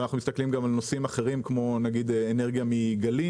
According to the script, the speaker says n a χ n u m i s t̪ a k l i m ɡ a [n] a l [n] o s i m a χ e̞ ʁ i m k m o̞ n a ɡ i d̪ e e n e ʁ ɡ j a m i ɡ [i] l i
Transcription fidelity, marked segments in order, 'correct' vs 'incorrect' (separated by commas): incorrect, correct, incorrect